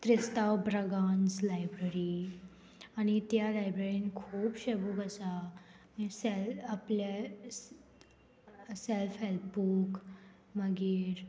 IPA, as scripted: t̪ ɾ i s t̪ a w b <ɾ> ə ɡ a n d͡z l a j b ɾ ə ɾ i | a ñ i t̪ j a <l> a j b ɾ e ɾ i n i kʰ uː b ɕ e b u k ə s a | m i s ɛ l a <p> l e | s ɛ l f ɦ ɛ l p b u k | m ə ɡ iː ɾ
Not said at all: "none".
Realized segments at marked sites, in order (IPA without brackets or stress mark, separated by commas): ɾ, l, p